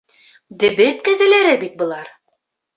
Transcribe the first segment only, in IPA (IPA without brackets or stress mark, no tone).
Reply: d̪